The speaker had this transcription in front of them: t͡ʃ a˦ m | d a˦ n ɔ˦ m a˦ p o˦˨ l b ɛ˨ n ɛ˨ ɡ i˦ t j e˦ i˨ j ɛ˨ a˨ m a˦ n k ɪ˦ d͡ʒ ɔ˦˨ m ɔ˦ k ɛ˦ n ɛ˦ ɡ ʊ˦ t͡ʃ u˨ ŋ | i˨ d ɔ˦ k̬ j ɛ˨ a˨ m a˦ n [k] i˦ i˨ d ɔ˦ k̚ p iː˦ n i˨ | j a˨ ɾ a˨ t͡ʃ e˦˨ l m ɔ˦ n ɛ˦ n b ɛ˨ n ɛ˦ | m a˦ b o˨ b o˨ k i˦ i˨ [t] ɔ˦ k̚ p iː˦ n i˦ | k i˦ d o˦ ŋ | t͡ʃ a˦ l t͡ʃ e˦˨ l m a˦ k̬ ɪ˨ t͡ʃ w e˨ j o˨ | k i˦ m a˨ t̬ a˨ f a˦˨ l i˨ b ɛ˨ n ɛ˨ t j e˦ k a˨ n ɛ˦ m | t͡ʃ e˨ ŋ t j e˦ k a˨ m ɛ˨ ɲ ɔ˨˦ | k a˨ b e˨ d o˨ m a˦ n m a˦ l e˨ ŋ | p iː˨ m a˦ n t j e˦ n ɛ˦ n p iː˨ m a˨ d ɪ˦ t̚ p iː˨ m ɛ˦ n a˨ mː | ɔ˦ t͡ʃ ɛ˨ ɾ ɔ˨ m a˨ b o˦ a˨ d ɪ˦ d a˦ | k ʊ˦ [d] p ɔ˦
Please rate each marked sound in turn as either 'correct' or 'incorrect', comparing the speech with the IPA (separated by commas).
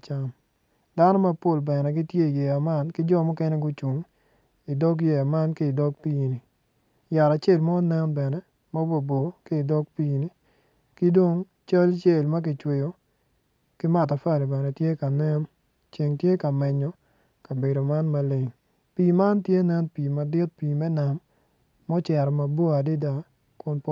correct, incorrect, incorrect